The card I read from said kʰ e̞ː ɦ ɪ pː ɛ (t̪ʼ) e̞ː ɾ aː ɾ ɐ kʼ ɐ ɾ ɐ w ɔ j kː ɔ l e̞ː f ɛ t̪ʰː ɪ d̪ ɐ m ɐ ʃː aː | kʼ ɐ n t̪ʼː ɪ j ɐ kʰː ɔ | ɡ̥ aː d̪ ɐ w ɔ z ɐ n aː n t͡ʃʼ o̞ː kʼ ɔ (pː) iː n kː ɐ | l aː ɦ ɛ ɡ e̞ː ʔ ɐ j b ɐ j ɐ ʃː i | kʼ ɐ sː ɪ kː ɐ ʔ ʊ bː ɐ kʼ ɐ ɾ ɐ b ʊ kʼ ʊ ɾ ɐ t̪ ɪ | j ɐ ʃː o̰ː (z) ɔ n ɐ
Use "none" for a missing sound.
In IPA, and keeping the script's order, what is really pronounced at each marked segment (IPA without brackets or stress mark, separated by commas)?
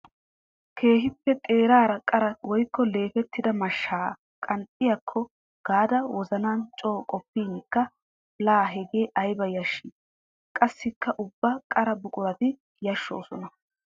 t̪ʼ, pː, s